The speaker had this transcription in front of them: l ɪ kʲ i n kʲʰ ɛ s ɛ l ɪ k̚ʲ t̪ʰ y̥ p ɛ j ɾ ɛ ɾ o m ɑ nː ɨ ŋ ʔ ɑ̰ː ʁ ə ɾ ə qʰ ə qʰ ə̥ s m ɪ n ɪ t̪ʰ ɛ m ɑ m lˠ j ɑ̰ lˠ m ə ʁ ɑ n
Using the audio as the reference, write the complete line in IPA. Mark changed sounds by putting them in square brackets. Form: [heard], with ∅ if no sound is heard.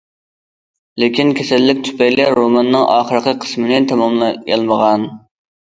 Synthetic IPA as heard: l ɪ kʲ i n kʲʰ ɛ s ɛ [lː] ɪ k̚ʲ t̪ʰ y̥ p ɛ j [l] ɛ ɾ o m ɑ nː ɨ ŋ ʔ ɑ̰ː [χ] ə ɾ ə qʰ ə qʰ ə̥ s m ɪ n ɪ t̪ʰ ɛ m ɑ m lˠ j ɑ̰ lˠ m ə ʁ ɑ n